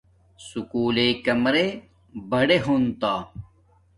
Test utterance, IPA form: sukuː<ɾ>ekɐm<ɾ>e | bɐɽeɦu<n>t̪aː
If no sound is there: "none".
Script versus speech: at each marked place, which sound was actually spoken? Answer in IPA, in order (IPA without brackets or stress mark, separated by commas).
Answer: l, ɾ, n